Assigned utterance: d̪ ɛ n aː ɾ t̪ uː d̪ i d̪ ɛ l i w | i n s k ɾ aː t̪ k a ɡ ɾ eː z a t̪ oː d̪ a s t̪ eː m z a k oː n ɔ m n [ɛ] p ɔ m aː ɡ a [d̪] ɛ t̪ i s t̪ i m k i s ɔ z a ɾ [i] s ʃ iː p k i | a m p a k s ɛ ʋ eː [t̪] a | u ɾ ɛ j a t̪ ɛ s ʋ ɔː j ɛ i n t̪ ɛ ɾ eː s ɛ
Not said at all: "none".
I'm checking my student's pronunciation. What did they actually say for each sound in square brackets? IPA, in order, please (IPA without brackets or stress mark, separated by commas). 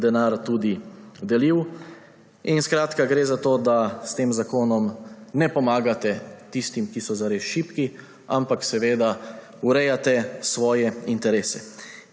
ɛ, t̪, e, d̪